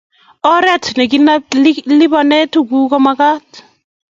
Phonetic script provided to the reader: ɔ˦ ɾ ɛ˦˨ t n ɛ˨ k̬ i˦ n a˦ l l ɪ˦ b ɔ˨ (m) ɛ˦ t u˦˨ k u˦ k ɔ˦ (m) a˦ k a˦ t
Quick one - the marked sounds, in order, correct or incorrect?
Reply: incorrect, correct

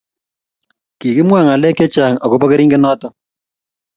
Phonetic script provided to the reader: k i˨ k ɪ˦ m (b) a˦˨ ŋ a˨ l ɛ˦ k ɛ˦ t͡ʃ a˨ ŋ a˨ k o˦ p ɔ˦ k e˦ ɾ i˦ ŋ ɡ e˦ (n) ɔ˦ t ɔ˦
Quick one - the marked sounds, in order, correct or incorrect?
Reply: incorrect, correct

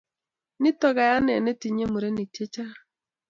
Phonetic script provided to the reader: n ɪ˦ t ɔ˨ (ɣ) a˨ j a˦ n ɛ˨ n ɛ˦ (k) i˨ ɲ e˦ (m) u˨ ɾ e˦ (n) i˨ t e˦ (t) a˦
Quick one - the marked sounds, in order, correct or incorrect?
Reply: correct, incorrect, correct, correct, incorrect

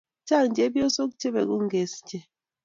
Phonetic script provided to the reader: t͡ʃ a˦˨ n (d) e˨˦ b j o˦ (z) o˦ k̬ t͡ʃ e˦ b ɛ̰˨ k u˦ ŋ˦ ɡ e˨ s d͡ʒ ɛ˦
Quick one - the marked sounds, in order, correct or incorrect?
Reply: incorrect, incorrect

